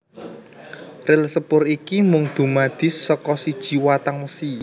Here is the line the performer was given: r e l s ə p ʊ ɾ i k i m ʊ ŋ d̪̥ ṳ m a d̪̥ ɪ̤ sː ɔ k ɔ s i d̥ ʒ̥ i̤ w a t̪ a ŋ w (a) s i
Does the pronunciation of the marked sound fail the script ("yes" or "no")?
yes